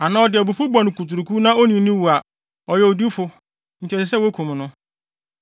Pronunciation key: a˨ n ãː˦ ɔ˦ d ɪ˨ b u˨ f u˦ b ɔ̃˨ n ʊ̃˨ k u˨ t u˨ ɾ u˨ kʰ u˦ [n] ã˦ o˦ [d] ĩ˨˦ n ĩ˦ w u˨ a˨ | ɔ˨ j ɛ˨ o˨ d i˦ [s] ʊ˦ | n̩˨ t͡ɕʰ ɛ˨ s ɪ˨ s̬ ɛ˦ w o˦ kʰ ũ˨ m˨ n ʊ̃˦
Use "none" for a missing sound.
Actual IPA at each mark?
n, n, f

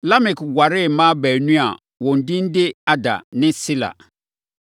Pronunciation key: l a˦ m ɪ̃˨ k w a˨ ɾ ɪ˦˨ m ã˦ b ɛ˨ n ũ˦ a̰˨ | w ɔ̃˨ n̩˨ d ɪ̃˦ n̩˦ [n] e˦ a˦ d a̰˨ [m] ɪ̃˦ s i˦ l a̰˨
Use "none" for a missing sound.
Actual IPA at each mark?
d, n

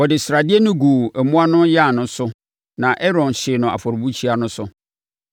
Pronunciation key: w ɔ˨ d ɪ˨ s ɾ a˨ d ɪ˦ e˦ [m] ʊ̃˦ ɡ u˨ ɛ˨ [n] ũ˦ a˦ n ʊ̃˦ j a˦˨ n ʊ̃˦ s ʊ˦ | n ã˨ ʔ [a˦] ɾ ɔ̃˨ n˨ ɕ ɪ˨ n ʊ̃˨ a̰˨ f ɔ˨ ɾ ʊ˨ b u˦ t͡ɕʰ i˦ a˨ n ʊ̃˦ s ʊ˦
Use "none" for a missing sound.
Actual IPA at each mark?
n, m, ɛ˦

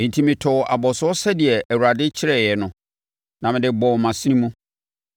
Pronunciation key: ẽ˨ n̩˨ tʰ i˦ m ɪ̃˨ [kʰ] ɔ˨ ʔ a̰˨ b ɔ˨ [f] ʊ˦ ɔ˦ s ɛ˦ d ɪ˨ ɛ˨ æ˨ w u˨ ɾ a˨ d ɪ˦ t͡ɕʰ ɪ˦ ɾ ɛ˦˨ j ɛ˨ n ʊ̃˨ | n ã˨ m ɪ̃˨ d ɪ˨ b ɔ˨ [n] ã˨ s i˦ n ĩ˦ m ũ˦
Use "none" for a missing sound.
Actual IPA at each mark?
tʰ, s, m

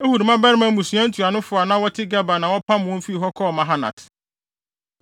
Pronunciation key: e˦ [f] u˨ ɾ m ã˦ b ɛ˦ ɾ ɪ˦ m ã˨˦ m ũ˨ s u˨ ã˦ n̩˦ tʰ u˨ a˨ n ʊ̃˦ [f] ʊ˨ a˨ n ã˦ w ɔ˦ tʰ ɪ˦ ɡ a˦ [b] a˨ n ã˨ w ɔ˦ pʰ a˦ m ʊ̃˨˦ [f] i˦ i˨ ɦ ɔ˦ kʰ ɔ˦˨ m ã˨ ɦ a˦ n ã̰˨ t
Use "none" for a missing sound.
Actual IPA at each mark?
h, f, b, f

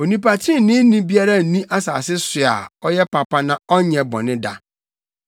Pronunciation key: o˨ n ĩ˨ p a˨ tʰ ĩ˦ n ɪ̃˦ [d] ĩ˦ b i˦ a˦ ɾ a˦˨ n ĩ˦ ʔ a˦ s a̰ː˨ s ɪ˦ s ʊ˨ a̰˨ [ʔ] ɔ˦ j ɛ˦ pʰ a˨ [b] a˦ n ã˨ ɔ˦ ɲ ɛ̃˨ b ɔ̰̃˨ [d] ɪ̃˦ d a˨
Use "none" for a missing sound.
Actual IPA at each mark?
n, none, p, n

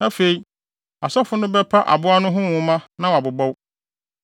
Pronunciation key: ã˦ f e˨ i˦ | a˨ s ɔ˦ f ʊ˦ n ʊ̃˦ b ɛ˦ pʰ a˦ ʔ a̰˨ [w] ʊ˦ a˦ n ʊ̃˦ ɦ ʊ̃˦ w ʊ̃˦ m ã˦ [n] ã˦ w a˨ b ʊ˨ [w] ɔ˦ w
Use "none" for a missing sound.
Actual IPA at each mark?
b, n, b

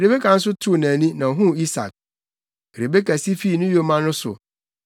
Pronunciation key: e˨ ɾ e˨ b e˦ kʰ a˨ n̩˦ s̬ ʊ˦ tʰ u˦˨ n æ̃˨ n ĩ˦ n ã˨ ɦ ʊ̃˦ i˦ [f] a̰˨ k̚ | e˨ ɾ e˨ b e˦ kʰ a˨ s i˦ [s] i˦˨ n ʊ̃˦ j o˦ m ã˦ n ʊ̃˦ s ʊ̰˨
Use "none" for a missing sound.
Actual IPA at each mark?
s, f

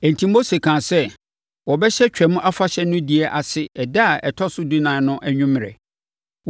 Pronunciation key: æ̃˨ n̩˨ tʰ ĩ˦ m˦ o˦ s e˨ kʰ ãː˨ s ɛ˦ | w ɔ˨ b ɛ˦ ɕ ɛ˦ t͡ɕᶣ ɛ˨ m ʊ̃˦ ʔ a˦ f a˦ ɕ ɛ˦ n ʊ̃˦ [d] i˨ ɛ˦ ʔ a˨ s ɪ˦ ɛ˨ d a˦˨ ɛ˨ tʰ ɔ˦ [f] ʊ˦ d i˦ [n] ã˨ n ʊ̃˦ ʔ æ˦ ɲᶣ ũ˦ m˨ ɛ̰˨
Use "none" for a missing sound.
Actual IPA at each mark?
d, s, n

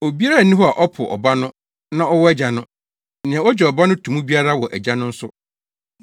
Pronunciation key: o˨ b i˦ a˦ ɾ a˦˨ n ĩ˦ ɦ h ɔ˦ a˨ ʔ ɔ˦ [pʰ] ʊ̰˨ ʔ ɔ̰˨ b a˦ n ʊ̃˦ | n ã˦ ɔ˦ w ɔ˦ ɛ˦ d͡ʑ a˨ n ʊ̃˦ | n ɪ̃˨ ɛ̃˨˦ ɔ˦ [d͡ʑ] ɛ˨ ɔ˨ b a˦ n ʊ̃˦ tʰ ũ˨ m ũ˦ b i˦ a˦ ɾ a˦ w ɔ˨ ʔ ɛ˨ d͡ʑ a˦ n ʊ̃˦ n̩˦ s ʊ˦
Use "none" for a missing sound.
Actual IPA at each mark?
pʰ, d͡ʑ

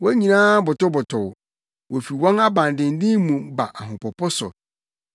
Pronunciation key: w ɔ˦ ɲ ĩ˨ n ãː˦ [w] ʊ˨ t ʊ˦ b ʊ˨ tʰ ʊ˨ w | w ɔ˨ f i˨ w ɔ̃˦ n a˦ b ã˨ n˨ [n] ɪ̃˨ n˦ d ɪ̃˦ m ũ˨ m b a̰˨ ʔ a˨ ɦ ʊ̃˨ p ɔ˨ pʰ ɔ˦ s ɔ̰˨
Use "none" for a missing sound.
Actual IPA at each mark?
b, d

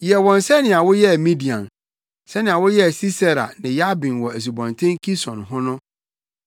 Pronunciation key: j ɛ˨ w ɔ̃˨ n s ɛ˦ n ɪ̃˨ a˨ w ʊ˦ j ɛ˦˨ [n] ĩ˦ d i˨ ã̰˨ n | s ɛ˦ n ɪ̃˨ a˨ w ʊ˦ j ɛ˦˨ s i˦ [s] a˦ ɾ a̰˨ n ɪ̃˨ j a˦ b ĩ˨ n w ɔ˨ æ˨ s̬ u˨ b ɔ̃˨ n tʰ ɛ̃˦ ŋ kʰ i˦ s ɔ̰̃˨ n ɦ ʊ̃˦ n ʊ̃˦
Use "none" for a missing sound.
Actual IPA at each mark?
m, s

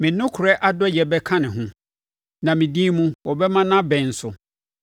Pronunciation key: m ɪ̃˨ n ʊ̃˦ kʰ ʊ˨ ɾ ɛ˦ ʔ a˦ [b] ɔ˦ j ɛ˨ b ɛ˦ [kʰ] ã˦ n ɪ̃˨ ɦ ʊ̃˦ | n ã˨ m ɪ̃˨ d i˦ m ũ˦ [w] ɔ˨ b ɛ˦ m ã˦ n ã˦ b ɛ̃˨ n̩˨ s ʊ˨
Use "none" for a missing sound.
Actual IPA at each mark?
d, kʰ, w

